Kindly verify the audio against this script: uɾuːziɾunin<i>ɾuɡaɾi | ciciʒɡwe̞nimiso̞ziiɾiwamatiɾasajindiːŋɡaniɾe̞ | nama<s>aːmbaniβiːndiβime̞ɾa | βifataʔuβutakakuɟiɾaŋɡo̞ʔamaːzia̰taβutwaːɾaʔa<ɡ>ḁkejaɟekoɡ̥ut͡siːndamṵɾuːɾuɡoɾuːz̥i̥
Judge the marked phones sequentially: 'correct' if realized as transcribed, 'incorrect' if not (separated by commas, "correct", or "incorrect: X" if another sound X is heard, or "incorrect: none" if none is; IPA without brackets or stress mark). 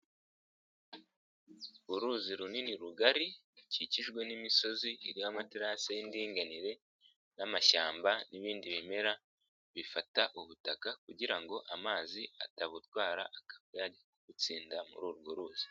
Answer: correct, incorrect: ʃ, incorrect: k